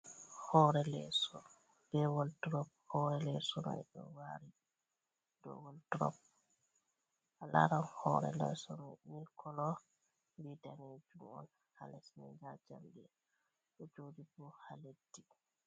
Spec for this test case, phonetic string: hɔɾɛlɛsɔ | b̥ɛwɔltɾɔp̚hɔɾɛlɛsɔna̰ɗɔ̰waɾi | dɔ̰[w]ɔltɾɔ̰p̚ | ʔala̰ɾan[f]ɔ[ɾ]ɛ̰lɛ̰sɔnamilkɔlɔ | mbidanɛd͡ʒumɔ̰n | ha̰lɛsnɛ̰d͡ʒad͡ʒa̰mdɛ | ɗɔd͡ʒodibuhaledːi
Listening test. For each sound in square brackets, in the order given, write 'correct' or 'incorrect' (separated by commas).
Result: correct, incorrect, correct